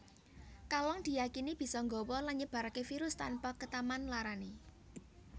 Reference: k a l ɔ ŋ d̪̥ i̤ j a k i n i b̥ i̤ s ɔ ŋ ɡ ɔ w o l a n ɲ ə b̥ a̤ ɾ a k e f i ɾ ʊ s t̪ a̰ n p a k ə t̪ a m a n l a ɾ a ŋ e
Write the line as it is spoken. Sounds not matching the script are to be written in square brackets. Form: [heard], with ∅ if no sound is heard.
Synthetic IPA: k a l ɔ ŋ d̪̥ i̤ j a k i n i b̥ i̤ s ɔ ŋ ɡ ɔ w [ɔ] l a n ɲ ə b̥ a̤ ɾ a k e f i ɾ ʊ s t̪ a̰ n p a k ə t̪ a m a n l a ɾ a [n] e